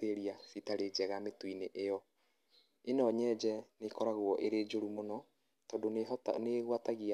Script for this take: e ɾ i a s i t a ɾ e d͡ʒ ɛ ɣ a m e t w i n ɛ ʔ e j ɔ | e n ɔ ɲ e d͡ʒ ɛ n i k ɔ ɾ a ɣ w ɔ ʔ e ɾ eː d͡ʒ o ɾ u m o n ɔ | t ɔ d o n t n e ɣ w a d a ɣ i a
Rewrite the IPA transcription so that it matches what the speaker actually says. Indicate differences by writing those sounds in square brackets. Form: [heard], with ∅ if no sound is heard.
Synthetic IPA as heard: e ɾ i a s i t a ɾ e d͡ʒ ɛ ɣ a m e t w i n [e] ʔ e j ɔ | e n ɔ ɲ [ɛ] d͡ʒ ɛ n [e] k ɔ ɾ a ɣ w ɔ ʔ e ɾ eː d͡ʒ o ɾ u m o n ɔ | t ɔ d o n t n e ɣ w a [t] a ɣ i a

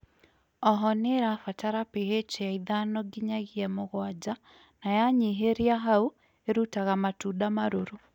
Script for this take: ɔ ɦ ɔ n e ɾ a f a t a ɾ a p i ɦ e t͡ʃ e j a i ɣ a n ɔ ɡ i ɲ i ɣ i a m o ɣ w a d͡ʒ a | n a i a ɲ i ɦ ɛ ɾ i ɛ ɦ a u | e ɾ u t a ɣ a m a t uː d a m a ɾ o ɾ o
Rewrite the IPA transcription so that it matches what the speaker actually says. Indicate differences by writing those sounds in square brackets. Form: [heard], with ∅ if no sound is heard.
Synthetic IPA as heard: ɔ ɦ ɔ n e ɾ a f a t a ɾ a p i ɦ e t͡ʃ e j a i [ð] a n ɔ ɡ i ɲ [a] ɣ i [ɛ] m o ɣ w a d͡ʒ a | n a [j] a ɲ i ɦ [e] ɾ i [a] ɦ a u | e ɾ u t a ɣ a m a t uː d a m a ɾ o ɾ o

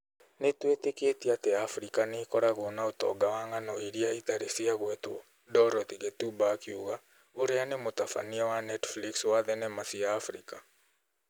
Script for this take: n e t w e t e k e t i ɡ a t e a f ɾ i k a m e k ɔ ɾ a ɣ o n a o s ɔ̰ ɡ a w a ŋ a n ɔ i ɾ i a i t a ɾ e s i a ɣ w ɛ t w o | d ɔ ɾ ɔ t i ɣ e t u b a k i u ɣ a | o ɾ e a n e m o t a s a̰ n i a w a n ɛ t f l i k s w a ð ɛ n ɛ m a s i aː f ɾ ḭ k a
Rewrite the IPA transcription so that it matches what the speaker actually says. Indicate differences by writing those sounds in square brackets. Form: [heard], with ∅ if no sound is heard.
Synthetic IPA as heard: n e t w e t e k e t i [∅] a t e a f ɾ i k a [n] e k ɔ ɾ a ɣ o n a o [t] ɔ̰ ɡ a w a ŋ a n ɔ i ɾ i a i t a ɾ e s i a ɣ w ɛ t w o | d ɔ ɾ ɔ t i ɣ e t u b a k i u ɣ a | o ɾ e a n e m o t a [f] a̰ n i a w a n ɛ t f l i k s w a ð ɛ n ɛ m a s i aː f ɾ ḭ k a

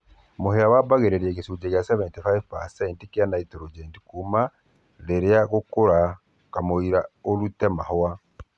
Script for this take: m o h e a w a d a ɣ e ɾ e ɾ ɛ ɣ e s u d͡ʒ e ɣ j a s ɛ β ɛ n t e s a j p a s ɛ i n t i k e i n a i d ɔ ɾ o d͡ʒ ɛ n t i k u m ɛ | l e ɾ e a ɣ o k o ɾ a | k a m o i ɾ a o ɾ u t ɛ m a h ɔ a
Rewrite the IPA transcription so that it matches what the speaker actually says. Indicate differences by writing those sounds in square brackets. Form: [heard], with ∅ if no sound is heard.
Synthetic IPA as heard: m o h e a w a [b] a ɣ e ɾ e ɾ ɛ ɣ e s u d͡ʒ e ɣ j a s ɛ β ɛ n t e [f] a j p a s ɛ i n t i k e [a] n a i [t] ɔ ɾ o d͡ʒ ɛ n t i k u m [a] | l e ɾ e a ɣ o k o ɾ a | k a m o i ɾ a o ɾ u t ɛ m a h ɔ a

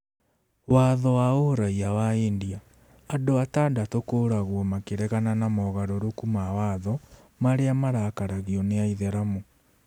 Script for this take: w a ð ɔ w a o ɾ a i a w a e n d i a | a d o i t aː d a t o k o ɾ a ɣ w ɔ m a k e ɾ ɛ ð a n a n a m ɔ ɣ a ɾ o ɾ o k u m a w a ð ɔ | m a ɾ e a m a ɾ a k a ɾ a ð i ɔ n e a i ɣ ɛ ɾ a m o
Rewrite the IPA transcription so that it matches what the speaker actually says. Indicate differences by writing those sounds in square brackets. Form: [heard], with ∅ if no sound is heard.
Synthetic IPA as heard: w a ð ɔ w a o ɾ a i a w a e n d i a | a d o [a] t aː d a t o k o ɾ a ɣ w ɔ m a k e ɾ ɛ [ɣ] a n a n a m ɔ ɣ a ɾ o ɾ o k u m a w a ð ɔ | m a ɾ e a m a ɾ a k a ɾ a [ɣ] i ɔ n e a i [ð] ɛ ɾ a m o

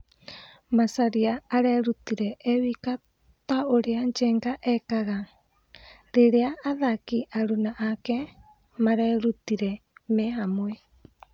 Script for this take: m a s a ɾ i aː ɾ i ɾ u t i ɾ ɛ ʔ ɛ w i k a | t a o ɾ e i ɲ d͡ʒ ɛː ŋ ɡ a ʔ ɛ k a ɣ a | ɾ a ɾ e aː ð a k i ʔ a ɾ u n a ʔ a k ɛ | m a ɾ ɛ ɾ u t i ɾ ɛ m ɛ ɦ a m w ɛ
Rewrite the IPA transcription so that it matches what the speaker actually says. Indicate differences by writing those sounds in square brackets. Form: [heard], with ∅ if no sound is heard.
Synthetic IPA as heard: m a s a ɾ i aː ɾ [ɛ] ɾ u t i ɾ ɛ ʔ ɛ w i k a | t a o ɾ e [a] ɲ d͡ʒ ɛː ŋ ɡ a ʔ ɛ k a ɣ a | ɾ [e] ɾ e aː ð a k i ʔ a ɾ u n a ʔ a k ɛ | m a ɾ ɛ ɾ u t i ɾ ɛ m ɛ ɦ a m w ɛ

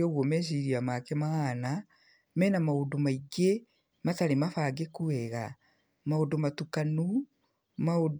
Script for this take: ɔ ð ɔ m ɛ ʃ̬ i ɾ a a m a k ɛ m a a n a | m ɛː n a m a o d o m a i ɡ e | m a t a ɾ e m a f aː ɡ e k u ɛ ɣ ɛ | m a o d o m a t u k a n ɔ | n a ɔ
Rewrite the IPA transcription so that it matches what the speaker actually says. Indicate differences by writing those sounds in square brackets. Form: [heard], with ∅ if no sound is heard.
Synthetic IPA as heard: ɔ [ɣ] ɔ m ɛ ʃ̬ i ɾ [i] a m a k ɛ m a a n a | m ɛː n a m a o d o m a i ɡ e | m a t a ɾ e m a f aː ɡ e k u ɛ ɣ [a] | m a o d o m a t u k a n [u] | [m] a [o]

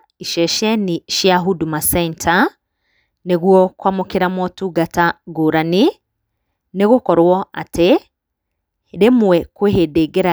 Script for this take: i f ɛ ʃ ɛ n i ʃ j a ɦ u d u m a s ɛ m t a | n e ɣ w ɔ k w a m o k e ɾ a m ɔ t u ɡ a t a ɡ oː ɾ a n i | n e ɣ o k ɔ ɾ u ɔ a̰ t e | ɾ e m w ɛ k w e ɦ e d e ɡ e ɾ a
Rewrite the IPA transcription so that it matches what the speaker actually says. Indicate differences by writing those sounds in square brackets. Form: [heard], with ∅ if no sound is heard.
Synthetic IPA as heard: i [ʃ] ɛ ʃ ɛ n i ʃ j a ɦ u d u m a s ɛ [n] t a | n e ɣ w ɔ k w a m o k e ɾ a m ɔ t u ɡ a t a ɡ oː ɾ a n i | n e ɣ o k ɔ ɾ [w] ɔ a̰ t e | ɾ e m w ɛ k w e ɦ e d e ɡ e ɾ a

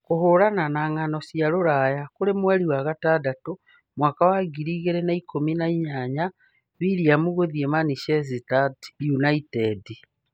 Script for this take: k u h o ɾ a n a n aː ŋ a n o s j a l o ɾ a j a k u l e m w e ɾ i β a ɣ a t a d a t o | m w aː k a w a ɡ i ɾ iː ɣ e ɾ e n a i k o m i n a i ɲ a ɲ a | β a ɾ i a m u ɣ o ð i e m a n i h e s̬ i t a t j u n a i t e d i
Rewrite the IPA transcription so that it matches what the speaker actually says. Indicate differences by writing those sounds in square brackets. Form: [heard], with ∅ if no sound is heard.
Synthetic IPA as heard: k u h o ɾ a n a n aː ŋ a n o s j a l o ɾ a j a k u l e m w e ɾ i [w] a ɣ a t a d a t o | m w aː k a w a ɡ i ɾ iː ɣ e ɾ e n a i k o m i n a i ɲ a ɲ a | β [i] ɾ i a m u ɣ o ð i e m a n i [ʃ] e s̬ i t a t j u n a i t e d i

